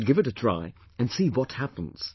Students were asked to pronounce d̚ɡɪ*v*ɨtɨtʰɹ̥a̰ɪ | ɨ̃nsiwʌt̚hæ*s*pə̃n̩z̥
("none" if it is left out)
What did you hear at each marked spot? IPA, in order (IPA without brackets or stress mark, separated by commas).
v, none